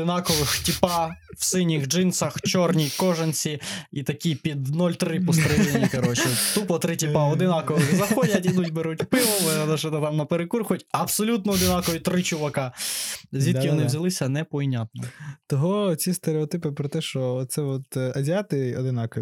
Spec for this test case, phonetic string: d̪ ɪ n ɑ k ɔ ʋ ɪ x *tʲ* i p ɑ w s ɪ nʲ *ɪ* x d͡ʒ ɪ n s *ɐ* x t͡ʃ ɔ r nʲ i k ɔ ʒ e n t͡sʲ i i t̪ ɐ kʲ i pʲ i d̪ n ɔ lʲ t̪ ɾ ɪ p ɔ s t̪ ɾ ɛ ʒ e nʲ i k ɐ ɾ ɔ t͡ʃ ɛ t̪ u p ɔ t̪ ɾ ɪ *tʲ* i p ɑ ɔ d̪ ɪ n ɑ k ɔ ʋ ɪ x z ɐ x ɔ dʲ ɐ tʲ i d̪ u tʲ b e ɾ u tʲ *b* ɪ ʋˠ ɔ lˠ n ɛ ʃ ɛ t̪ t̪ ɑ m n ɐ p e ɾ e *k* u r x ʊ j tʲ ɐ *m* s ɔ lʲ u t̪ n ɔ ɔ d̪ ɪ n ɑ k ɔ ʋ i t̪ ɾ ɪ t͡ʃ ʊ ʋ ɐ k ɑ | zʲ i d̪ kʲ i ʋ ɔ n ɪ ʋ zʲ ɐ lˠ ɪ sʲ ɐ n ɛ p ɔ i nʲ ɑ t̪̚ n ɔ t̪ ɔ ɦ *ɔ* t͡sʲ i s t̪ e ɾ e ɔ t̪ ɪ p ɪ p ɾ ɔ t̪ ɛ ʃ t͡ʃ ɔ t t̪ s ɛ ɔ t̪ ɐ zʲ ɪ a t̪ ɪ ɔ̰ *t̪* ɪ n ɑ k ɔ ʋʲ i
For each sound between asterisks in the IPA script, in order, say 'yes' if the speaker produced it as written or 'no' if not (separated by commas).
yes, no, yes, yes, no, yes, no, yes, no